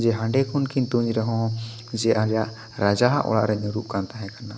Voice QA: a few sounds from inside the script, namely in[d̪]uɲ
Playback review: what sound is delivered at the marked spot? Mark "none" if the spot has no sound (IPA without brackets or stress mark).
t̪